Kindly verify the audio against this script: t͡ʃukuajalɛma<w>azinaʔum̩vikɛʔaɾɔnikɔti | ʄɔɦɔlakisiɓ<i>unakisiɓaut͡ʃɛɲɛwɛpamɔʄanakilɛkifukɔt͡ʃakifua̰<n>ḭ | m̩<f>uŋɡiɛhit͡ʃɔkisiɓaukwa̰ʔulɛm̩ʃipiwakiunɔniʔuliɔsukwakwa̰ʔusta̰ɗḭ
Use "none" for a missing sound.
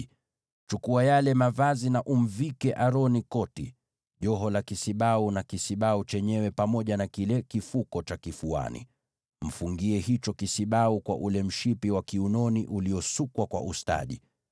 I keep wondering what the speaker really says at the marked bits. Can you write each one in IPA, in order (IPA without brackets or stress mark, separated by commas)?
v, a, n, f